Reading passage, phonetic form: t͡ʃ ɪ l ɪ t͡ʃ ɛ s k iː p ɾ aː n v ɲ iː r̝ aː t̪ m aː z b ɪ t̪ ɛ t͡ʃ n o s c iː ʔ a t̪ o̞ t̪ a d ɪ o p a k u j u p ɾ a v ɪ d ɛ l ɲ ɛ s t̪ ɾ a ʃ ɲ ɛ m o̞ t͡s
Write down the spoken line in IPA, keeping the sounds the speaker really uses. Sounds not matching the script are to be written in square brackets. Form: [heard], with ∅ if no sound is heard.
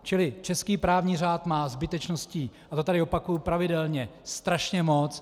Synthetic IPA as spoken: t͡ʃ ɪ l ɪ t͡ʃ ɛ s k iː p ɾ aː [∅] v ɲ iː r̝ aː t̪ m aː z b ɪ t̪ ɛ t͡ʃ n o s c iː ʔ a t̪ o̞ t̪ a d ɪ o p a k u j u p ɾ a v ɪ d ɛ l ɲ ɛ s t̪ ɾ a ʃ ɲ ɛ m o̞ t͡s